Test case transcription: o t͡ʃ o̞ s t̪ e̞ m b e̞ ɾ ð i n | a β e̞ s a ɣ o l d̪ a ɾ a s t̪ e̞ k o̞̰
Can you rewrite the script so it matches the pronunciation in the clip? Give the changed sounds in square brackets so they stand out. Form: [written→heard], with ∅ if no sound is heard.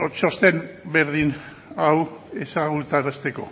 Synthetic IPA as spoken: o t͡ʃ o̞ s t̪ e̞ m b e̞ ɾ ð i n | a [β→w] e̞ s a ɣ [o→u] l [d̪→t̪] a ɾ a s t̪ e̞ k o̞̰